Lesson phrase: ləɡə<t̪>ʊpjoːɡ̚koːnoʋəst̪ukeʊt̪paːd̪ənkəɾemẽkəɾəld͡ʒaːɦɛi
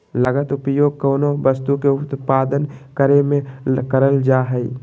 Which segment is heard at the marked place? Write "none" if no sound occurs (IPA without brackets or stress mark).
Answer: t̪